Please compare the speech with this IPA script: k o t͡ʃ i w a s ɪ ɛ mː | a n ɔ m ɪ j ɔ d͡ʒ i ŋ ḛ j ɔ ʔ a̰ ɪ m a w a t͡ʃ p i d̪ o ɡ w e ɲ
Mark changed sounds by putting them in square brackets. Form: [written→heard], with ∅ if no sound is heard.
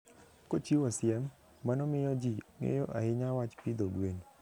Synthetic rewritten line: k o t͡ʃ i w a s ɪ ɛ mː | a n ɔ m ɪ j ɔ d͡ʒ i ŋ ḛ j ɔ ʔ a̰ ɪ [m→ɲ] a w a t͡ʃ p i d̪ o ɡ w e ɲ